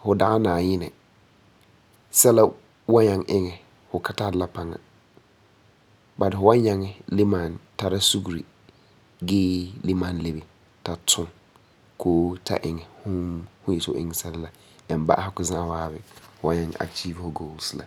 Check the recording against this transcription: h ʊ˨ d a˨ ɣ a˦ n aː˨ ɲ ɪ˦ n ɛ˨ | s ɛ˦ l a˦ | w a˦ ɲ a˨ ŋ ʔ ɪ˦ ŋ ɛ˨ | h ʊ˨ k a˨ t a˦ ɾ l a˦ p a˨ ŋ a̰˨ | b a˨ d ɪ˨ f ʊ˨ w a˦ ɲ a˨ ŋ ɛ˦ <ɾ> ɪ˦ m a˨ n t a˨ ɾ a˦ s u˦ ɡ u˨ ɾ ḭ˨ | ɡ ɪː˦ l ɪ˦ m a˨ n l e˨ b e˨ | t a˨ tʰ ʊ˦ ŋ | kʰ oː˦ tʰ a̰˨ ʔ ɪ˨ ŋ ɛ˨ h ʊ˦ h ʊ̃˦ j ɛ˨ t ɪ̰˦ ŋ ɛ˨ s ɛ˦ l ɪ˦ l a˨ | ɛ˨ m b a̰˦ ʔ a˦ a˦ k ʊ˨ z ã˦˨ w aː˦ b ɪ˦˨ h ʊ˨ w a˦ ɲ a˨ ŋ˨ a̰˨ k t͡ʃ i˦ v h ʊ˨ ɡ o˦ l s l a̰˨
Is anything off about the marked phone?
yes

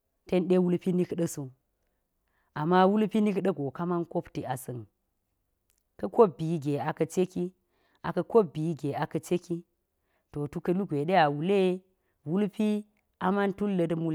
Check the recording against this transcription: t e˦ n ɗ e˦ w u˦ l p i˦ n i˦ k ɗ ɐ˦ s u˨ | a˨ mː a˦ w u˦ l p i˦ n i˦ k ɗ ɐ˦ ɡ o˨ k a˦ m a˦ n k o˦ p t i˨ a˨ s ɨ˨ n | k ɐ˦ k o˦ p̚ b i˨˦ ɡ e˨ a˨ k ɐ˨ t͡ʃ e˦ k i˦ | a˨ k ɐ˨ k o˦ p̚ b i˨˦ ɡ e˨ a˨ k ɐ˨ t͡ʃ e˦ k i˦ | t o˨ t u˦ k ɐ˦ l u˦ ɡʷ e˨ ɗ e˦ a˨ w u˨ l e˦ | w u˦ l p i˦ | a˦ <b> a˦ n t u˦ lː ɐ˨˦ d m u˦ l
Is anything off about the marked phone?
yes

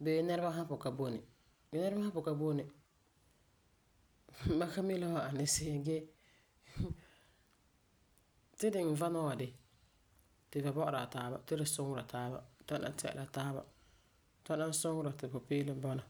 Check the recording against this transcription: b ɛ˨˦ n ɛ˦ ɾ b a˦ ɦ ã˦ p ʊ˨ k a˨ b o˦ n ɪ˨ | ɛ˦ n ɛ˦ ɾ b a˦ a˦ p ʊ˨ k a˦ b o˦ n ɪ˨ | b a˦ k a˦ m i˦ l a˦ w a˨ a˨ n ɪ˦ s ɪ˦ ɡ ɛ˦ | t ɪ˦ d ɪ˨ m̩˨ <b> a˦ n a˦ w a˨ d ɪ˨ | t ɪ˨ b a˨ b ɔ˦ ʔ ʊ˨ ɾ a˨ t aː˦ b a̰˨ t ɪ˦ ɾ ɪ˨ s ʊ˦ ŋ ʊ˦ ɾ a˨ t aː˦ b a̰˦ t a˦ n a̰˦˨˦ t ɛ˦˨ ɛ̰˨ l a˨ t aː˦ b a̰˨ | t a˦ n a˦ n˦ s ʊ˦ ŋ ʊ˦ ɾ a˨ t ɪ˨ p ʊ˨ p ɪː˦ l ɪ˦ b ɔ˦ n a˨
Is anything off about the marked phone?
yes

